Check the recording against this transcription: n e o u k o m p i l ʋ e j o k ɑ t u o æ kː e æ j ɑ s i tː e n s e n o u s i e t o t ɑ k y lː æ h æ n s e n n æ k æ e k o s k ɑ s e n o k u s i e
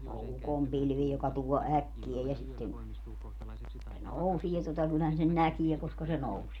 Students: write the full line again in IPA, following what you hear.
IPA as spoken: n e o u k o m p i l ʋ i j o k ɑ t u o æ kː i æ j ɑ s i tː e n s e n o u s i e t o t ɑ k y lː æ h æ n s e n n æ k i e k o s k ɑ s e n o u s i e